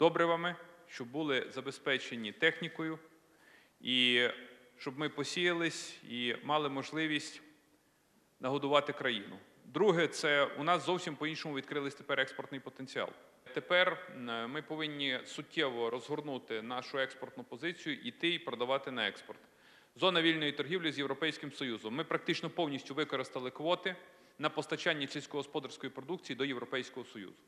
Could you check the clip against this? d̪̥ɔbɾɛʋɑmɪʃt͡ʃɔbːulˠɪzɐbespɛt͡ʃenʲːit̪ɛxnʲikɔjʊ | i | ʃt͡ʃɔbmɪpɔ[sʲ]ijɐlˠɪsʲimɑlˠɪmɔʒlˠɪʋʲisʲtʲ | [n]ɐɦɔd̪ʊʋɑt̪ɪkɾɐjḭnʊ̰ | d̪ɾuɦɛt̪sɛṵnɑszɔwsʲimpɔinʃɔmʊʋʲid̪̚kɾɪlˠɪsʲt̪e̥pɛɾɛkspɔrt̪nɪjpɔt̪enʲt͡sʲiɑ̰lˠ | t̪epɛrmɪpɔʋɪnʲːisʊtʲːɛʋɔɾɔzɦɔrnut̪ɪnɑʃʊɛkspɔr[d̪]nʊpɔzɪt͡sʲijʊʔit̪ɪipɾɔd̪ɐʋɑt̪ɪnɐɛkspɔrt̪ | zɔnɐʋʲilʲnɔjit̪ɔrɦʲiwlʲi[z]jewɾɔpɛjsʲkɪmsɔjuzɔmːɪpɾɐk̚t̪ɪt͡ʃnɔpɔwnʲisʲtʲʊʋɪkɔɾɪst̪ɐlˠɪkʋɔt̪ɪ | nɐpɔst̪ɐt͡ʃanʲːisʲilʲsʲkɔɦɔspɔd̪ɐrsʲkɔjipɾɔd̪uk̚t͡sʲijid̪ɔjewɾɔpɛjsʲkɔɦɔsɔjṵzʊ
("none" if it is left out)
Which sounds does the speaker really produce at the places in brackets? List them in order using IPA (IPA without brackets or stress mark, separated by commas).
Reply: sʲ, n, t̪, z